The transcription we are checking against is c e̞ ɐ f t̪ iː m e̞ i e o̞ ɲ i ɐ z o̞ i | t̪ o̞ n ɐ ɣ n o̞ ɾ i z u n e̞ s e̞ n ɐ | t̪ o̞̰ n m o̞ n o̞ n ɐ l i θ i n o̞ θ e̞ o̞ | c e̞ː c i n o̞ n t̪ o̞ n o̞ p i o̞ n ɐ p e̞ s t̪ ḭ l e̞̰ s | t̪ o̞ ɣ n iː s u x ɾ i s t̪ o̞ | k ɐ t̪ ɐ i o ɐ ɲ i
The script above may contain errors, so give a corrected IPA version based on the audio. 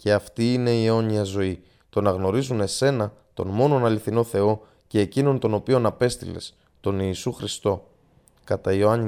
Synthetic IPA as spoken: c e̞ ɐ f t̪ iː n e̞ i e o̞ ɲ i ɐ z o̞ i | t̪ o̞ n ɐ ɣ n o̞ ɾ i z u n e̞ s e̞ n ɐ | t̪ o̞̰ n m o̞ n o̞ n ɐ l i θ i n o̞ θ e̞ o̞ | c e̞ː c i n o̞ n t̪ o̞ n o̞ p i o̞ n ɐ p e̞ s t̪ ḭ l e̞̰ s | t̪ o̞ n iː s u x ɾ i s t̪ o̞ | k ɐ t̪ ɐ i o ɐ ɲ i